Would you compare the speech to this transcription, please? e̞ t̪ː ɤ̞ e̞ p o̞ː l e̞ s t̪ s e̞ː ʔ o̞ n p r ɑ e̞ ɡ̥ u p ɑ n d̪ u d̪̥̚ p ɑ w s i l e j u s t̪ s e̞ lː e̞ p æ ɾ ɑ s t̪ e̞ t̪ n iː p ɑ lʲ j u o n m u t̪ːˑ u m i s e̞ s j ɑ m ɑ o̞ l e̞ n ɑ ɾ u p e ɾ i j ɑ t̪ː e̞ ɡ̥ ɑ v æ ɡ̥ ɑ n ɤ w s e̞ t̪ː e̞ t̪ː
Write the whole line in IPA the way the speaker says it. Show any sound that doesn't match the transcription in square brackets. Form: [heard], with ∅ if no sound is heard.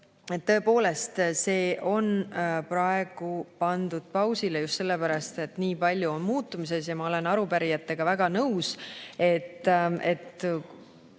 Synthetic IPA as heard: e̞ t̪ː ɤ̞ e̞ p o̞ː l e̞ s t̪ s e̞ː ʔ o̞ n p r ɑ e̞ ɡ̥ u p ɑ n d̪ u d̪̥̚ p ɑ w s i l e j u s t̪ s e̞ lː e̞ p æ ɾ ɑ s t̪ e̞ t̪ n iː p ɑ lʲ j u o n m [uː] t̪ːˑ u m i s e̞ s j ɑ m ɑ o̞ l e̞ n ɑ ɾ u p [æ] ɾ i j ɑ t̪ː e̞ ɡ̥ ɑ v æ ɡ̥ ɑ n ɤ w s e̞ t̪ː e̞ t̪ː